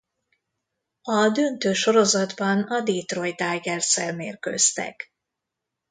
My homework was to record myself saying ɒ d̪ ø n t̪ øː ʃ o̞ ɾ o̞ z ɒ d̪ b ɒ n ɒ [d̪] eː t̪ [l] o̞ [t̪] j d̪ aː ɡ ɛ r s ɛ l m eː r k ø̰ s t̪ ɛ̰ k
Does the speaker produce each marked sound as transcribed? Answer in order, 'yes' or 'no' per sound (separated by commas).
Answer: yes, no, no